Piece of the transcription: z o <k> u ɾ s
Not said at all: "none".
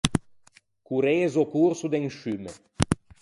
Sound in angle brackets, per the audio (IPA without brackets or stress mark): k